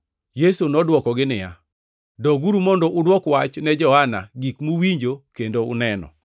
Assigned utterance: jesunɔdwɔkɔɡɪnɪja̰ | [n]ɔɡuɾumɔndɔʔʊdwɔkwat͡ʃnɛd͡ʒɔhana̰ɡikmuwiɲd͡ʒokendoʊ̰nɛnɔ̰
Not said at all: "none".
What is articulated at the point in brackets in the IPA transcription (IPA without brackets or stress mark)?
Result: d